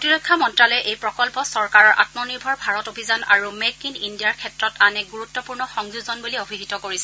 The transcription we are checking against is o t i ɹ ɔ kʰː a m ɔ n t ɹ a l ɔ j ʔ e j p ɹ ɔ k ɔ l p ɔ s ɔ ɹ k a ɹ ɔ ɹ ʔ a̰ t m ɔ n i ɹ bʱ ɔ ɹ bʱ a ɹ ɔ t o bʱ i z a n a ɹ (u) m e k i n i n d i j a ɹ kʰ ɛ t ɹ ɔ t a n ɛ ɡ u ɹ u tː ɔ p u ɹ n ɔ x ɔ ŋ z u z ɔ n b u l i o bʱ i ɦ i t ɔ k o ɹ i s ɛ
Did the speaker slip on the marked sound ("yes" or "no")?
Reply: no